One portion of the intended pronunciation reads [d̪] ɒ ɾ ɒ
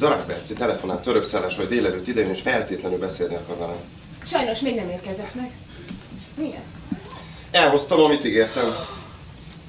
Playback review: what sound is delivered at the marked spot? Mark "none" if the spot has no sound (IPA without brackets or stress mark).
d̪